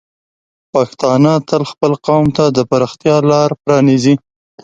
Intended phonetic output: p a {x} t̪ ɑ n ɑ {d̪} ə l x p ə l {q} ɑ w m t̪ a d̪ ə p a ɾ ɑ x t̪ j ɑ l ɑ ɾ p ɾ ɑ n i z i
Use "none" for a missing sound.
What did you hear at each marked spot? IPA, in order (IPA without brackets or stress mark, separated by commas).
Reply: x, t̪, q